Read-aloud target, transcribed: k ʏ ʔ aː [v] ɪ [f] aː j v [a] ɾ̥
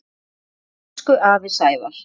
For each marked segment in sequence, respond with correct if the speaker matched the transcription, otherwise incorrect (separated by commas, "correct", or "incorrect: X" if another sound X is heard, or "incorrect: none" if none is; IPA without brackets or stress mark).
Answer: correct, incorrect: s, correct